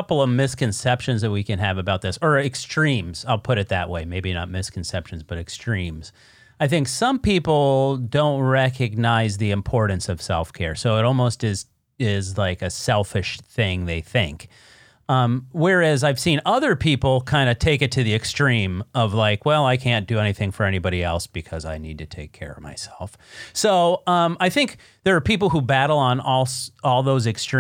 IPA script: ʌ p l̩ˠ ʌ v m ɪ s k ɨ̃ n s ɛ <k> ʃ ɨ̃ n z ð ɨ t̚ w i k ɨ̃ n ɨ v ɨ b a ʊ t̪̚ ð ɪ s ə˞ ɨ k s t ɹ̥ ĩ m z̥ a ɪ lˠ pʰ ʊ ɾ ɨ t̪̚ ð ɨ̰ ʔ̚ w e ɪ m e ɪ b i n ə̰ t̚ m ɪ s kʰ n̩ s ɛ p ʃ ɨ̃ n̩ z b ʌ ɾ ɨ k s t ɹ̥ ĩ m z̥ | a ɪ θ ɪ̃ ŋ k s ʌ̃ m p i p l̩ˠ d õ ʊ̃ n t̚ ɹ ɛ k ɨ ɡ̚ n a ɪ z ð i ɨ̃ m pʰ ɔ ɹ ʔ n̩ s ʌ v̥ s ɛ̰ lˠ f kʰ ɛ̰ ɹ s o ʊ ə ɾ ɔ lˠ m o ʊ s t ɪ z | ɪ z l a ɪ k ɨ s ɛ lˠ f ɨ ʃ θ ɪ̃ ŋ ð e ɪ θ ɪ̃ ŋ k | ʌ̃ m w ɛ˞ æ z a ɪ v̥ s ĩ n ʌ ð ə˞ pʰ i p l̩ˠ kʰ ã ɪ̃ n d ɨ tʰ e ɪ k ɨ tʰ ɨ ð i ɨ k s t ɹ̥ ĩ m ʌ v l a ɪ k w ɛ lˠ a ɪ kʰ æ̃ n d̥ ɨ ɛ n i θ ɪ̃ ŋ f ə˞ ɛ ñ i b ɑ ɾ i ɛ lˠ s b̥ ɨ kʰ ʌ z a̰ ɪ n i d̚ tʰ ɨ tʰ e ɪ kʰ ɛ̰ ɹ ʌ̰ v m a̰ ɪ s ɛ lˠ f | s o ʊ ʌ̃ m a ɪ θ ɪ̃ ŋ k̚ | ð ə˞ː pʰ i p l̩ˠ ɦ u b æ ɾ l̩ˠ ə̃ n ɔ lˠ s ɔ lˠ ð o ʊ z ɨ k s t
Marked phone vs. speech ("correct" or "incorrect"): incorrect